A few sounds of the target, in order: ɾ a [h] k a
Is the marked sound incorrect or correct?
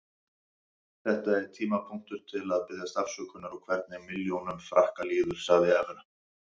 correct